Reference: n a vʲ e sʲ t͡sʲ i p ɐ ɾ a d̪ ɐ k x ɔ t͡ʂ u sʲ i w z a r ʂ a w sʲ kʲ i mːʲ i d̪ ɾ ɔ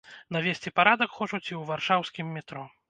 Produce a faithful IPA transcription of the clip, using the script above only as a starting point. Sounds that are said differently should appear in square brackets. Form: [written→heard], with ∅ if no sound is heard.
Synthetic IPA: n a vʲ e sʲ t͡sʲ i p [ɐ→a] ɾ a d̪ ɐ k x ɔ t͡ʂ u [sʲ→t͡sʲ] i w [z→v] a r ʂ a w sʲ kʲ i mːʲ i [d̪→t̪] ɾ ɔ

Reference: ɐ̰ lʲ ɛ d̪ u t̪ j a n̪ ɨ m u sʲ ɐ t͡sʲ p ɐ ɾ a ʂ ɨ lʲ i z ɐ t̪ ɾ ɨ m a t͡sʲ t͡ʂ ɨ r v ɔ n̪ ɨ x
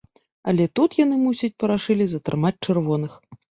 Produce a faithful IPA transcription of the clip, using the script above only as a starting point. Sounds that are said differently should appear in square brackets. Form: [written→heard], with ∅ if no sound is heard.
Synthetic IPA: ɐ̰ lʲ ɛ [d̪→t̪] u t̪ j a n̪ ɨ m u sʲ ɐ t͡sʲ p ɐ ɾ a ʂ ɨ lʲ i z ɐ t̪ ɾ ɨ m a t͡sʲ t͡ʂ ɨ r v ɔ n̪ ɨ x

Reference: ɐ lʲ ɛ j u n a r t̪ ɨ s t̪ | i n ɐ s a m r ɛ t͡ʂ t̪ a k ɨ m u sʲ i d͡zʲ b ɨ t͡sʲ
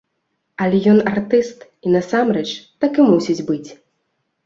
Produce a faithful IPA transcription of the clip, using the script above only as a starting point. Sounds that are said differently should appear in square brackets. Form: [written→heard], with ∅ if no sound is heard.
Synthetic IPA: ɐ lʲ ɛ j [u→ɔ] n a r t̪ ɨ s t̪ | i n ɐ s a m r ɛ t͡ʂ t̪ a k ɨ m u sʲ i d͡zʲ b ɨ t͡sʲ

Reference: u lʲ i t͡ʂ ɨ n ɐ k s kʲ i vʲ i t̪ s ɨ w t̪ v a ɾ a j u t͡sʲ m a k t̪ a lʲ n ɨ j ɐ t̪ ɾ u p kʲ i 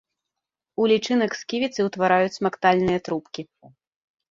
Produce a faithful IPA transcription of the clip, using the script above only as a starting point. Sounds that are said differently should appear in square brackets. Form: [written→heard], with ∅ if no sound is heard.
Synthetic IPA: u lʲ i t͡ʂ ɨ n ɐ k s kʲ i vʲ i t̪ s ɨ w t̪ v a ɾ a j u t͡sʲ m a k t̪ a lʲ n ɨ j ɐ t̪ ɾ u p kʲ i

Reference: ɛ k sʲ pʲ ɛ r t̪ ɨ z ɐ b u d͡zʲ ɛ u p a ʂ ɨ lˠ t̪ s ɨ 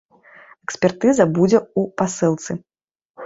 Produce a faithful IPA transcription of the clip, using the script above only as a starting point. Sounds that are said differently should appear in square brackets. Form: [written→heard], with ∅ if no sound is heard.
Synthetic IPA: ɛ k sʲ pʲ ɛ r t̪ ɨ z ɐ b u d͡zʲ ɛ u p a [ʂ→s] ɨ lˠ t̪ s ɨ

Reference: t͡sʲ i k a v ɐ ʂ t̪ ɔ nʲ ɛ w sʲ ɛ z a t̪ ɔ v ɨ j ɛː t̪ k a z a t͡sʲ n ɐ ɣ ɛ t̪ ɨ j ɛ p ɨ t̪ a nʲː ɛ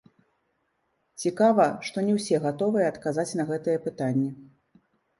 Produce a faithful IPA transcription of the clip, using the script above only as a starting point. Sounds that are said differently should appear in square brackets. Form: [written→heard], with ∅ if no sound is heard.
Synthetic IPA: t͡sʲ i k a v ɐ ʂ t̪ ɔ nʲ ɛ w sʲ ɛ [z→ɣ] a t̪ ɔ v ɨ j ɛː t̪ k a z a t͡sʲ n ɐ ɣ ɛ t̪ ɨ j ɛ p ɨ t̪ a nʲː ɛ

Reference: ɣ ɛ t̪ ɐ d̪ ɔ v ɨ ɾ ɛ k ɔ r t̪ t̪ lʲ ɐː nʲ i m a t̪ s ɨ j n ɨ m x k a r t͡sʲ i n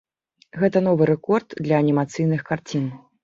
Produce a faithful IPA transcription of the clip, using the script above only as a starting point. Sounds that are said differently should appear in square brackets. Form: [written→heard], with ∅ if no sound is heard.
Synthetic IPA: ɣ ɛ t̪ ɐ [d̪→n̪] ɔ v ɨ ɾ ɛ k ɔ r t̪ [t̪→d̪] lʲ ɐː nʲ i m a t̪ s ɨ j n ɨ [m→∅] x k a r t͡sʲ i n

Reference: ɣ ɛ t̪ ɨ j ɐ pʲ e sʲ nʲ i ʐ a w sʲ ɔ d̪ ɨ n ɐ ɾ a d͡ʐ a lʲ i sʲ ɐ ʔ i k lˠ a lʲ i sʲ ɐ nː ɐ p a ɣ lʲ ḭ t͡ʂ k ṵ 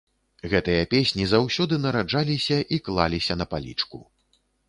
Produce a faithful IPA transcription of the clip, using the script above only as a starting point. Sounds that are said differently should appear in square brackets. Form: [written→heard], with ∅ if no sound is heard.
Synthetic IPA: ɣ ɛ t̪ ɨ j ɐ pʲ e sʲ nʲ i [ʐ→z] a w sʲ ɔ d̪ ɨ n ɐ ɾ a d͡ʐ a lʲ i sʲ ɐ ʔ i k lˠ a lʲ i sʲ ɐ [nː→n] ɐ p a [ɣ→∅] lʲ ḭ t͡ʂ k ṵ

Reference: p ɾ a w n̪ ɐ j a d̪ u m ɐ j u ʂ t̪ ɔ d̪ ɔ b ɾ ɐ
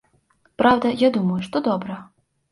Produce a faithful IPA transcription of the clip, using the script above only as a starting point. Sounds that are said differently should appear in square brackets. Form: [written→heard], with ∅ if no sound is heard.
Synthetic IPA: p ɾ a w [n̪→d̪] ɐ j a d̪ u m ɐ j u ʂ t̪ ɔ d̪ ɔ b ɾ ɐ

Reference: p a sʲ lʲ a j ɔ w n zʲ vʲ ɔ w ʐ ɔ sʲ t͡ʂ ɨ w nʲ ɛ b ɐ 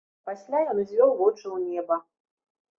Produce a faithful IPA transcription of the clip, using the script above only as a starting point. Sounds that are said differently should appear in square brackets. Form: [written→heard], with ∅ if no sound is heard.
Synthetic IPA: p a sʲ lʲ a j ɔ [w→∅] n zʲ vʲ ɔ w [ʐ→v] ɔ [sʲ→∅] t͡ʂ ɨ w nʲ ɛ b ɐ

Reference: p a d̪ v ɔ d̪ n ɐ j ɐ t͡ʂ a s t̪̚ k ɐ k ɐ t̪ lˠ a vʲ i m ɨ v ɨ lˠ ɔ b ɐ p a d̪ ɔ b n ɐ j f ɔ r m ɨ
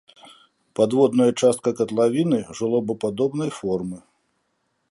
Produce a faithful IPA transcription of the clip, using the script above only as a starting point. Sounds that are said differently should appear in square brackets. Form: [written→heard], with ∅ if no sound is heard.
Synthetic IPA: p a d̪ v ɔ d̪ n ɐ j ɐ t͡ʂ a s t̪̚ k ɐ k ɐ t̪ lˠ a vʲ i [m→n] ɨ [v→ʐ] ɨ lˠ ɔ b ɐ p a d̪ ɔ b n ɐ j f ɔ r m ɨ

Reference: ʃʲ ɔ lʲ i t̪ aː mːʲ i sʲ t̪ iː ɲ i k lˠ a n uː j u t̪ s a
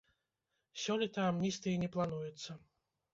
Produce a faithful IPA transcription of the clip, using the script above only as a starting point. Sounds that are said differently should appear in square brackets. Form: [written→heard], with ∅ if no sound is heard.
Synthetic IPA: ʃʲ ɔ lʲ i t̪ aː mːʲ i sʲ t̪ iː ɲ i [k→p] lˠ a n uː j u t̪ s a

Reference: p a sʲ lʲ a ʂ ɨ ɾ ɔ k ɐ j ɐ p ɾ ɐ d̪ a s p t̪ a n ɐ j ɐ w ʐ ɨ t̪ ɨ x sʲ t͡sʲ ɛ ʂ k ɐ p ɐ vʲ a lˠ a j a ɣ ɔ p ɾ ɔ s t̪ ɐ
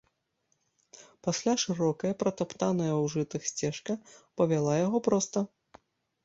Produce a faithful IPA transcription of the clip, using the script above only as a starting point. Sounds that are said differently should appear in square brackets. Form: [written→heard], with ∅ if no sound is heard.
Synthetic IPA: p a sʲ lʲ a ʂ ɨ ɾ ɔ k ɐ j ɐ p ɾ ɐ [d̪→t̪] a [s→∅] p t̪ a n ɐ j ɐ w ʐ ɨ t̪ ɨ x sʲ t͡sʲ ɛ ʂ k ɐ p ɐ vʲ a lˠ a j a ɣ ɔ p ɾ ɔ s t̪ ɐ

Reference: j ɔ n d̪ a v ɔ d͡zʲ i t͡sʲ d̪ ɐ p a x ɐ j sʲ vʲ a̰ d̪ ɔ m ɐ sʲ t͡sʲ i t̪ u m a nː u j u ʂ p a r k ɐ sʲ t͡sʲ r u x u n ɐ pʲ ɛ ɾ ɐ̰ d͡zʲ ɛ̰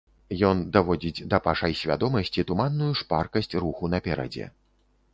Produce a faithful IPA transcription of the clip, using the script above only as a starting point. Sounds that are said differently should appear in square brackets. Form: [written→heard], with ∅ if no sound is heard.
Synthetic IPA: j ɔ n d̪ a v ɔ d͡zʲ i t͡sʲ d̪ ɐ p a [x→ʂ] ɐ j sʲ vʲ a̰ d̪ ɔ m ɐ sʲ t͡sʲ i t̪ u m a nː u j u ʂ p a r k ɐ sʲ t͡sʲ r u x u n ɐ pʲ ɛ ɾ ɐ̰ d͡zʲ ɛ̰

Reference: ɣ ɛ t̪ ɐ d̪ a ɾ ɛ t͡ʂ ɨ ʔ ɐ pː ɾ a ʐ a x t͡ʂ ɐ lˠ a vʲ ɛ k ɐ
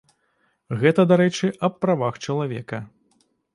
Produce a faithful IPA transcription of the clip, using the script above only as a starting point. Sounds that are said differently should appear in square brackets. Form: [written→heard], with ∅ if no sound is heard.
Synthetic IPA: ɣ ɛ t̪ ɐ d̪ a ɾ ɛ t͡ʂ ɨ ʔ ɐ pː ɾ a [ʐ→v] a x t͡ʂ ɐ lˠ a vʲ ɛ k ɐ

